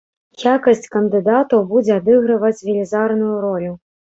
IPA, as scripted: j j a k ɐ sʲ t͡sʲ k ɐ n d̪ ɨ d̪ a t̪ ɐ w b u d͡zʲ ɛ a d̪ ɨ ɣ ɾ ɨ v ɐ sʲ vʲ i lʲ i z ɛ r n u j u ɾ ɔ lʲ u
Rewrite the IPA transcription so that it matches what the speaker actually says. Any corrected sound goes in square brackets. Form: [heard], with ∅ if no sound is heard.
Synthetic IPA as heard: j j a k ɐ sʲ t͡sʲ k ɐ n d̪ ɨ d̪ a t̪ ɐ w b u d͡zʲ ɛ a d̪ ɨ ɣ ɾ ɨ v ɐ [t͡sʲ] vʲ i lʲ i z [a] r n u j u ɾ ɔ lʲ u